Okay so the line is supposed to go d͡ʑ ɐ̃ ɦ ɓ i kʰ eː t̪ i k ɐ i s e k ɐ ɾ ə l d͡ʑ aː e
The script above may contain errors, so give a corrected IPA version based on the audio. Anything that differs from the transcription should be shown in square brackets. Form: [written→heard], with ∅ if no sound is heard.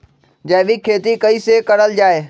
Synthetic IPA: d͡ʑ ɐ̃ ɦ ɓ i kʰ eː t̪ i k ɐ i s e k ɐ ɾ ə l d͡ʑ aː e